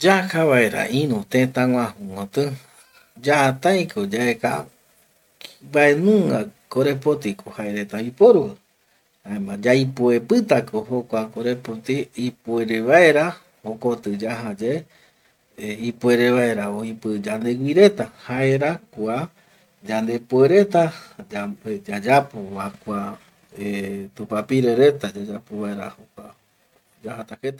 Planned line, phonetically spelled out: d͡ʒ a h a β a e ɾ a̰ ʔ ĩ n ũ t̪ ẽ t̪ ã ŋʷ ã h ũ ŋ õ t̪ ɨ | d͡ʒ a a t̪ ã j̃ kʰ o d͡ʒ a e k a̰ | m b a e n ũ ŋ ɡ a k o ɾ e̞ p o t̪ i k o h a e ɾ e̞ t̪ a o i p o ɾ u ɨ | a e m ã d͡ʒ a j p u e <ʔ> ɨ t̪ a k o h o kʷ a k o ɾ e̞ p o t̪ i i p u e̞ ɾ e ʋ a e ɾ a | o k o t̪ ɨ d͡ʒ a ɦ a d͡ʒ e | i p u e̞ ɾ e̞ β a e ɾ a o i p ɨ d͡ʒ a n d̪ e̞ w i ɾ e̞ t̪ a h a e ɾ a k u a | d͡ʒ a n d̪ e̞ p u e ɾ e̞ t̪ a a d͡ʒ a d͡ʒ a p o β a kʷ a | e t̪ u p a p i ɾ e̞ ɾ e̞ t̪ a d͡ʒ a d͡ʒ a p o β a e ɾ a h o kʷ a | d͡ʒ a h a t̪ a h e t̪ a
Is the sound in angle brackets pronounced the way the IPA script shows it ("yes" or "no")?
no